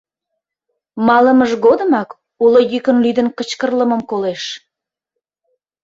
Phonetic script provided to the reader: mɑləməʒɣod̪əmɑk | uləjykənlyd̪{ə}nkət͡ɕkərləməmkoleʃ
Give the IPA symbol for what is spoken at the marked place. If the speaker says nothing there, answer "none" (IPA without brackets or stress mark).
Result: ə